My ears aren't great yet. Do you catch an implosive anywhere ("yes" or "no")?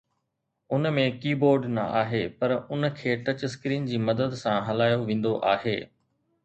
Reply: no